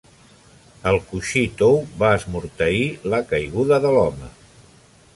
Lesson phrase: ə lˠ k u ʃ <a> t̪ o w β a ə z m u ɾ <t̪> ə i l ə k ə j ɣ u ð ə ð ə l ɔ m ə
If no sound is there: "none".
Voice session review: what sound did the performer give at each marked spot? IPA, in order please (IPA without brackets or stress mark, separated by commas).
i, t̪